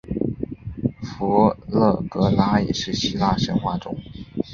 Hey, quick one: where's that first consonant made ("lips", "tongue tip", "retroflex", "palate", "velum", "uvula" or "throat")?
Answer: lips